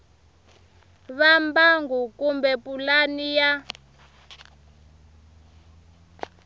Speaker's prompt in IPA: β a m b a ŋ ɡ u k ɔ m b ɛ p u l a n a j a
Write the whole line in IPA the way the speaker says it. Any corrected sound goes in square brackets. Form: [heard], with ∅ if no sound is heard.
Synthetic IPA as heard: β a m b a ŋ ɡ u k [u] m b ɛ p u l a n [i] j a